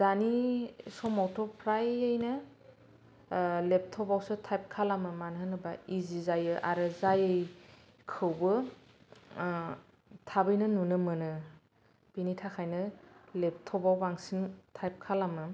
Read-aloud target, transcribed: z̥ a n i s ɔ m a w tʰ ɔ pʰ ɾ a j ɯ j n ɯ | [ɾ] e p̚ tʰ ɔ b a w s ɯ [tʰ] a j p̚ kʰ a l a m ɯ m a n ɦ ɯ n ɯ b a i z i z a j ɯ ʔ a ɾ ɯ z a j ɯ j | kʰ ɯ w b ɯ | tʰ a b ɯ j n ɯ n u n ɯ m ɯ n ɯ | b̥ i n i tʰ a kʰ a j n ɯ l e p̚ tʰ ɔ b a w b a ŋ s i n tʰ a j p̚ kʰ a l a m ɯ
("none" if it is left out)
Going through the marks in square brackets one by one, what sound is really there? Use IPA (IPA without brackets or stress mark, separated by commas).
l, tʰ